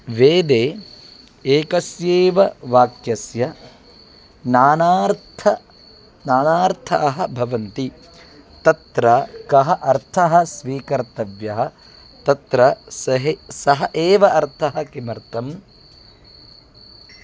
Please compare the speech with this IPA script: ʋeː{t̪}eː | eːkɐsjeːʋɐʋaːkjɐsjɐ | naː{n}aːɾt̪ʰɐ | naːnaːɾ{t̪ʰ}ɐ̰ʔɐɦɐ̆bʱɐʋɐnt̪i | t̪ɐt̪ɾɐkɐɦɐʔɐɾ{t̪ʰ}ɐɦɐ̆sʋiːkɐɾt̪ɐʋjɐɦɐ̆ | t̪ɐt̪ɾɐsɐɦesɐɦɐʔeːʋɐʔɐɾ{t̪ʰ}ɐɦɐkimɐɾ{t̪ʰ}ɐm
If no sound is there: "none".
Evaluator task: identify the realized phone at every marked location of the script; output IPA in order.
d̪, n, t̪ʰ, t̪ʰ, t̪ʰ, t̪

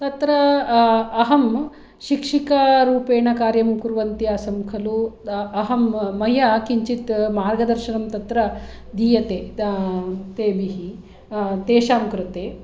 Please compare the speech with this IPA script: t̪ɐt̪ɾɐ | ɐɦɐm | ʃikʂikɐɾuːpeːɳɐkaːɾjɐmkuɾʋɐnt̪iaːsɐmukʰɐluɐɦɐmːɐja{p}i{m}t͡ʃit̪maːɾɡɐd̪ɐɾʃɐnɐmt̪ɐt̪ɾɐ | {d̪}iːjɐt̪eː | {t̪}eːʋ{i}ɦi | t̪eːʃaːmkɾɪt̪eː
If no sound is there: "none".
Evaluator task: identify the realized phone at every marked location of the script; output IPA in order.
k, ɲ, d̪, t̪, i

